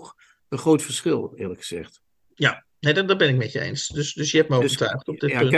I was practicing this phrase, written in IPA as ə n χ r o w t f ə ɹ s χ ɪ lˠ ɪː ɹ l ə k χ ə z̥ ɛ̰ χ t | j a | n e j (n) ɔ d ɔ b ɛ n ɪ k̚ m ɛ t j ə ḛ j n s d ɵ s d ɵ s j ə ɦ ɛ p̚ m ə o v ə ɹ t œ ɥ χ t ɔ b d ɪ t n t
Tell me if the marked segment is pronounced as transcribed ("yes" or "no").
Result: no